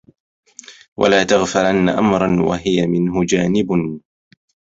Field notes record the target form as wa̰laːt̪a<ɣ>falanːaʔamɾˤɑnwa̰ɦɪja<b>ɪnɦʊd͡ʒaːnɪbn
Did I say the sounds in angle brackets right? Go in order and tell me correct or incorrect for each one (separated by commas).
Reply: correct, incorrect